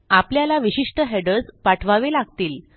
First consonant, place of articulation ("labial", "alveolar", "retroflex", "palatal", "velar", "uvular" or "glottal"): labial